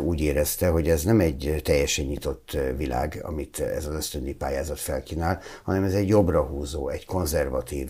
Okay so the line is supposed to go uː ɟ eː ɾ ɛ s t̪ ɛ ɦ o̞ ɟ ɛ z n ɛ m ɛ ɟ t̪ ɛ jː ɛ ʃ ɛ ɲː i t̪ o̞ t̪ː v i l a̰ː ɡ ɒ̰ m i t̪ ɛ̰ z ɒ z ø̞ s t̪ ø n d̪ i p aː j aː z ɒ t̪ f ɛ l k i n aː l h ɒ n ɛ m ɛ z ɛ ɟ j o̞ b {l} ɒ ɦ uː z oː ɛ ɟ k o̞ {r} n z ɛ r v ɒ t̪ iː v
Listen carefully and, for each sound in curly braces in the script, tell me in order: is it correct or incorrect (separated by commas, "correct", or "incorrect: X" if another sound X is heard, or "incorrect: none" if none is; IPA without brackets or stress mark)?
incorrect: r, incorrect: none